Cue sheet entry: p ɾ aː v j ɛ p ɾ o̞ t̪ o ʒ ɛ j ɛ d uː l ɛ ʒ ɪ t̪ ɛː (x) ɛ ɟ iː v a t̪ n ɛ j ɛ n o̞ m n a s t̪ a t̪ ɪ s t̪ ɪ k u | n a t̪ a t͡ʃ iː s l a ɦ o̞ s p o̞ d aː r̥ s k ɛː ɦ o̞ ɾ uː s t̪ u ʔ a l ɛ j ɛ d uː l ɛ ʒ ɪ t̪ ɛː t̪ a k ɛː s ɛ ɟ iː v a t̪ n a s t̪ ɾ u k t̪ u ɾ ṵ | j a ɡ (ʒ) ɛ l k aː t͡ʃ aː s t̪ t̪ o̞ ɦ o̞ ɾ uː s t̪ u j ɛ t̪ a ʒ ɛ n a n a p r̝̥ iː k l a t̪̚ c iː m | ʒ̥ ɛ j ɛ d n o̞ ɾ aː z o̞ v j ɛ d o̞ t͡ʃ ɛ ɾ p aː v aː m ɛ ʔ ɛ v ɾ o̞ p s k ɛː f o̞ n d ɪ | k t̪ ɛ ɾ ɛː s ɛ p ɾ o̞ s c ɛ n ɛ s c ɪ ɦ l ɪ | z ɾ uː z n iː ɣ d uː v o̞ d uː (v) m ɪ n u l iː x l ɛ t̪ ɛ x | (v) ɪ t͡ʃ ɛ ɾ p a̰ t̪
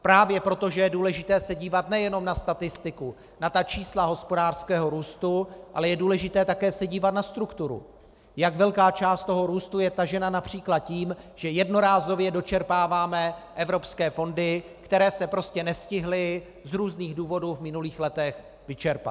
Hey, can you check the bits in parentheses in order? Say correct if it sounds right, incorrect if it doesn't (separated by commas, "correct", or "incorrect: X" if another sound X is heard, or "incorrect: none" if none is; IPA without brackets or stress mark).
incorrect: s, incorrect: v, correct, correct